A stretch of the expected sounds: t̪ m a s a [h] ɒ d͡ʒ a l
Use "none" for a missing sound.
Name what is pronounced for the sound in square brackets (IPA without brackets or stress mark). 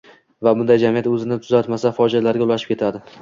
f